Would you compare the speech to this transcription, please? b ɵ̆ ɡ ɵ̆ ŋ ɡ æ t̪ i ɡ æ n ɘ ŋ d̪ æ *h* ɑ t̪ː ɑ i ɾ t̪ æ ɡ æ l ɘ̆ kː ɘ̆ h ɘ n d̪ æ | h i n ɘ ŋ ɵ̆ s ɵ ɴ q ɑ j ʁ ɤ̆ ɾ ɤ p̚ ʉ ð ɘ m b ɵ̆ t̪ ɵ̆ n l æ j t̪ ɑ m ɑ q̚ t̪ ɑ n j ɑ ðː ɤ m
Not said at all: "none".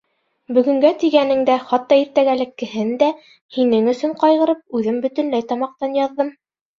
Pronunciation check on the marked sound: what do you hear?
χ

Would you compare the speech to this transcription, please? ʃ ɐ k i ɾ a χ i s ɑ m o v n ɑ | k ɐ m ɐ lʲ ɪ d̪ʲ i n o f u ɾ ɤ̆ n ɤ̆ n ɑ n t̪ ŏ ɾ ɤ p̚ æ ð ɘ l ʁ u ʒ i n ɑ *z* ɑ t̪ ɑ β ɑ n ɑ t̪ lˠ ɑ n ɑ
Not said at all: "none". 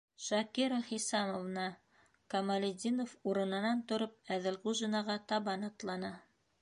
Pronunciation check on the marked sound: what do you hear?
ʁ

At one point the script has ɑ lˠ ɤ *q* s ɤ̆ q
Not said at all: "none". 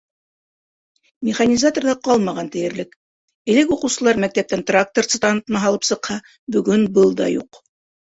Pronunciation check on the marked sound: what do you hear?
p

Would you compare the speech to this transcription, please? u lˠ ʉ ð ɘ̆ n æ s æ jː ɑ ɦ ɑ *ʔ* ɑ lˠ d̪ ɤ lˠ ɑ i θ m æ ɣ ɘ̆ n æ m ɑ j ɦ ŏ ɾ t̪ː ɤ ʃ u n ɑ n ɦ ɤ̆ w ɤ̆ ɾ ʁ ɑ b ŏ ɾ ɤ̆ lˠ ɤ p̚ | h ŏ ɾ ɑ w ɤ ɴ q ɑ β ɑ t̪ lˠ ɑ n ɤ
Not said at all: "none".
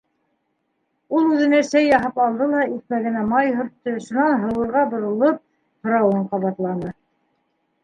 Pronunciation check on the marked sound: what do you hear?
p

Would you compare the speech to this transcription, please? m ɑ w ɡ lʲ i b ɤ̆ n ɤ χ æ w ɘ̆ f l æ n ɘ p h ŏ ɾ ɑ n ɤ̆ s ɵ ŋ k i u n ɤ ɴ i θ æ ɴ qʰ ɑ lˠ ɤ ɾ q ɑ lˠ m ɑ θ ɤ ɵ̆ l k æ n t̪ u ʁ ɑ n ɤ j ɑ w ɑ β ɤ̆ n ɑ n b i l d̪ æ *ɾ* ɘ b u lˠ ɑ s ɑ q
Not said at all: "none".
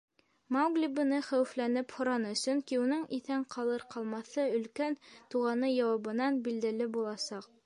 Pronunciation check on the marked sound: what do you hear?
l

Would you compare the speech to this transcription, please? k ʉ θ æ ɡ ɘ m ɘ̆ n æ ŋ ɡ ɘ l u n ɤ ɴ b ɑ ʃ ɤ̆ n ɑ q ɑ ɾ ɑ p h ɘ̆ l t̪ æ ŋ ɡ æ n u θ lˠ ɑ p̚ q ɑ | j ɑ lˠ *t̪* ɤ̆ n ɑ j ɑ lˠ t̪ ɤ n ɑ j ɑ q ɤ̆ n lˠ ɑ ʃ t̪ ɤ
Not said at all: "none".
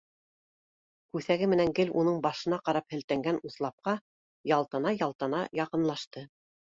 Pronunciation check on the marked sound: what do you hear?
t̪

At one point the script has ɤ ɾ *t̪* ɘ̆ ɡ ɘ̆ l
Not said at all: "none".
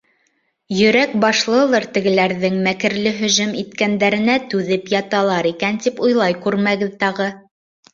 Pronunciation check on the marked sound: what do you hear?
t̪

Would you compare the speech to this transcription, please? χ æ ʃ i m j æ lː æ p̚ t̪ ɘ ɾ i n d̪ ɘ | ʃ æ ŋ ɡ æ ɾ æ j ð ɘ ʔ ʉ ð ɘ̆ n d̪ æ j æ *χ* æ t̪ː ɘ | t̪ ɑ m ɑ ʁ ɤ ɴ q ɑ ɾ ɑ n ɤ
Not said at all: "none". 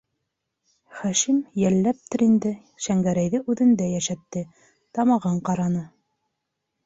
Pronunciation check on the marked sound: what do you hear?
ʃ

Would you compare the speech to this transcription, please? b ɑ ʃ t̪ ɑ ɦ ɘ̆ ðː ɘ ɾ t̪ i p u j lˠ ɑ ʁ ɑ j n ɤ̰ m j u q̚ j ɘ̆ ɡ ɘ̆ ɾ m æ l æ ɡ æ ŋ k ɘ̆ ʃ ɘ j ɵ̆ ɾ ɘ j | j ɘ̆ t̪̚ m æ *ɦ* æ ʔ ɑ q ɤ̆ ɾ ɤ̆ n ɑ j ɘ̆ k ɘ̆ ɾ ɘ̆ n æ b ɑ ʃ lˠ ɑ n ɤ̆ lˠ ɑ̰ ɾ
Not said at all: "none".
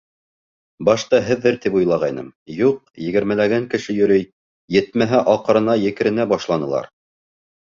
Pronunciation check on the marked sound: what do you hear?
ɦ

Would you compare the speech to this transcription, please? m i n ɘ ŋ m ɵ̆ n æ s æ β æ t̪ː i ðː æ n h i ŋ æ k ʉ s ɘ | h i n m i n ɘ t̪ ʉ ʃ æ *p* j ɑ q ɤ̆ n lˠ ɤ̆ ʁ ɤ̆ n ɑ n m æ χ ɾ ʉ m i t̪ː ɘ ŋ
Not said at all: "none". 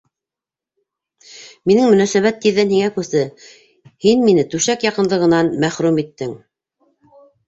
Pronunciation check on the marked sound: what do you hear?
k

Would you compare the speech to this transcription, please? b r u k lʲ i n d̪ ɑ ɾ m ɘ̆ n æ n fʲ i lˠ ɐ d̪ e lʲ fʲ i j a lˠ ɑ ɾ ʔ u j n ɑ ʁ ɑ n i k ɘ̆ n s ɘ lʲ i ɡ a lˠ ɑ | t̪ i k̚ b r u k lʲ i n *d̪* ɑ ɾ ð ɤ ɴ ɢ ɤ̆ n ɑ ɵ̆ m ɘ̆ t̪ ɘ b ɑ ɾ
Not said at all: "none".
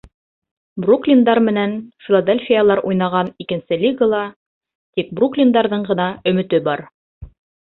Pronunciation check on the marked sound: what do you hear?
d̪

